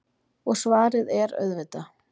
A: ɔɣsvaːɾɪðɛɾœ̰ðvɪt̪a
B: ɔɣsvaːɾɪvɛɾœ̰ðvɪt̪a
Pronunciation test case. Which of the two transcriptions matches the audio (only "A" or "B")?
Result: A